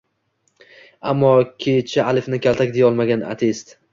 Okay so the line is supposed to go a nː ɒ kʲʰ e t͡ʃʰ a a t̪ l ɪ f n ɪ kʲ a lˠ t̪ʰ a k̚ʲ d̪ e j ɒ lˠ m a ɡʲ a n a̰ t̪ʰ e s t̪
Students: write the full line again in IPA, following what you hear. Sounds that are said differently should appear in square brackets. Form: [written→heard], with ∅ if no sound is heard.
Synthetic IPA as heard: a [nː→mː] ɒ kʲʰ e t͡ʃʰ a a [t̪→∅] l ɪ f n ɪ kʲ a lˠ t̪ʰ a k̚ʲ d̪ e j ɒ lˠ m a ɡʲ a n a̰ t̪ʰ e s t̪